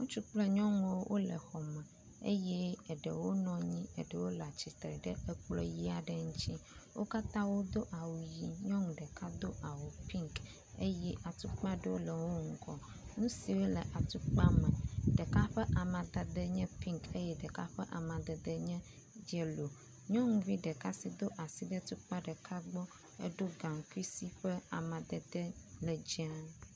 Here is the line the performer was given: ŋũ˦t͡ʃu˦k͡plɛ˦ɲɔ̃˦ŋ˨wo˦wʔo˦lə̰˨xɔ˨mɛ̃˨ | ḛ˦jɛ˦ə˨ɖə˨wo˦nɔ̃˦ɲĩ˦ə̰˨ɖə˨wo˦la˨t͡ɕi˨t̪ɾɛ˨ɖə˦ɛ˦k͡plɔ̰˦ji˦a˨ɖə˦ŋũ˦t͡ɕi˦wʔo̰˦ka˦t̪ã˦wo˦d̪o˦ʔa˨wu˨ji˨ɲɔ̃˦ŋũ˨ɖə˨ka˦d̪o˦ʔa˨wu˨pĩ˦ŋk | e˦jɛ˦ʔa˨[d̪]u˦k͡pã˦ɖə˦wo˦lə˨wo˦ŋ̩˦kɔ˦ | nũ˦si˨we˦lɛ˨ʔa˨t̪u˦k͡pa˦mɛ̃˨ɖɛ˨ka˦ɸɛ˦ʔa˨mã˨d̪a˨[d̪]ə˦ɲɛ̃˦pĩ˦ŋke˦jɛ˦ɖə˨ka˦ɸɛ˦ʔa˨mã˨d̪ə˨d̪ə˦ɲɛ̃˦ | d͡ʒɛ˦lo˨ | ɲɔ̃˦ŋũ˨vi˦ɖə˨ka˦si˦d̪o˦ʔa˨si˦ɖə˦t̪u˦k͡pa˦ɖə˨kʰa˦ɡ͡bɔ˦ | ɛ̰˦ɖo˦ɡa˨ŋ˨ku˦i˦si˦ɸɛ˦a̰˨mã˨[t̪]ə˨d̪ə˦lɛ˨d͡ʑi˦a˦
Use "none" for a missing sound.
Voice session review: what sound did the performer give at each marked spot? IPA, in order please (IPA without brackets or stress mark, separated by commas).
t̪, d̪, d̪